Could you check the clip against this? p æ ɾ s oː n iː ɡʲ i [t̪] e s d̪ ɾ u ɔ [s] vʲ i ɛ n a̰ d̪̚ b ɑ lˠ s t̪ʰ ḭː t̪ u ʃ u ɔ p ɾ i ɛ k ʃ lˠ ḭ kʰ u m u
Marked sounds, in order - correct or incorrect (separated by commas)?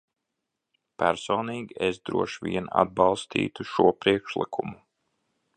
incorrect, incorrect